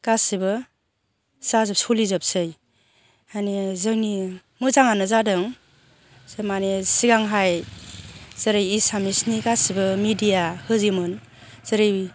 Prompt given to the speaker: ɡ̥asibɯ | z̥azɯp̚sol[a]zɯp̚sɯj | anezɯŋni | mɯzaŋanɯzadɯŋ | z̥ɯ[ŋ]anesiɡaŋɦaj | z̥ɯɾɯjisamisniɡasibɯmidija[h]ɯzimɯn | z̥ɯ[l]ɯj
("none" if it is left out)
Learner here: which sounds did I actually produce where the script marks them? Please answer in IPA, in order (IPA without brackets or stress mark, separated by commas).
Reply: i, m, h, ɾ